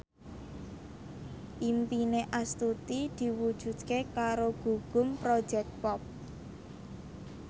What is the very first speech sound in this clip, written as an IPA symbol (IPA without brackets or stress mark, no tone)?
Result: ʔ